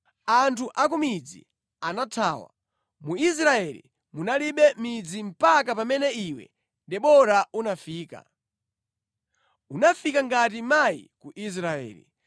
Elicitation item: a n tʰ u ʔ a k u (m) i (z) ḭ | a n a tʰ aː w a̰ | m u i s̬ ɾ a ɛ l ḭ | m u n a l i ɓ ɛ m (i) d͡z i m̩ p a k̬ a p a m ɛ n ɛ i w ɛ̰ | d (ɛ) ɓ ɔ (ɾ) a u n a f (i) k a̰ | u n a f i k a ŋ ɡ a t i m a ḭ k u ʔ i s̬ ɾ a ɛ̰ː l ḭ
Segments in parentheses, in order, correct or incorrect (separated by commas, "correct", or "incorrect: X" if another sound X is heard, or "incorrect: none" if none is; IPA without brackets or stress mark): correct, incorrect: d͡z, correct, correct, correct, incorrect: iː